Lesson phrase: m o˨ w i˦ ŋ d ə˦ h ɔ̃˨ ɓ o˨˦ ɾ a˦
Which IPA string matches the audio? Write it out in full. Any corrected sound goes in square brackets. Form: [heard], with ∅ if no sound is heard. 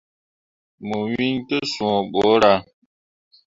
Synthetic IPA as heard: m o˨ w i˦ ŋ [t] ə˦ [s] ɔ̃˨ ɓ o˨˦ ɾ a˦